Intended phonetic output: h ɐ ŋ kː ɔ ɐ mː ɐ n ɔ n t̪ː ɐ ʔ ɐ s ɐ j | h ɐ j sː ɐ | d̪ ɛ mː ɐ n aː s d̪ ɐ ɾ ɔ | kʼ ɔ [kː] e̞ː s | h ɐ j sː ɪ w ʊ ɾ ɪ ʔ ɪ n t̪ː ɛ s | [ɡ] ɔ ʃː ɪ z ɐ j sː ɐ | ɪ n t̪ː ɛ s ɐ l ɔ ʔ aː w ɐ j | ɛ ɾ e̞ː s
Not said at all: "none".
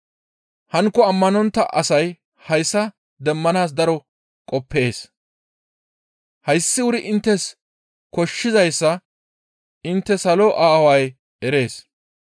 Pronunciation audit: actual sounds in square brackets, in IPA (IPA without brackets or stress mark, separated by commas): pː, k